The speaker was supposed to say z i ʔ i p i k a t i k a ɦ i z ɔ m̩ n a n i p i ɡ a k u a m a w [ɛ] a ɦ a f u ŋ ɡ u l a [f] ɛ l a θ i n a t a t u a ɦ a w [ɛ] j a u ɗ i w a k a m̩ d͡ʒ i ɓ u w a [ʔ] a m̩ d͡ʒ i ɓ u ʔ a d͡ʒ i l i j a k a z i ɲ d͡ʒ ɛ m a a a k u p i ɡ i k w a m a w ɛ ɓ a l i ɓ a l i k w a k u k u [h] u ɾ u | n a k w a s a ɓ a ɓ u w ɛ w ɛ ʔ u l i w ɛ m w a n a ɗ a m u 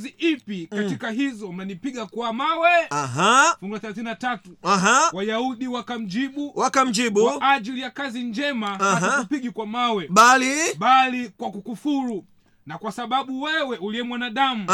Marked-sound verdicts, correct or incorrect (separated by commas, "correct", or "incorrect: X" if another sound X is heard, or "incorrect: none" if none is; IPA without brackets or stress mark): correct, incorrect: θ, incorrect: a, incorrect: k, incorrect: f